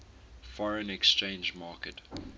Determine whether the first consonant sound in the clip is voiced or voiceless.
voiceless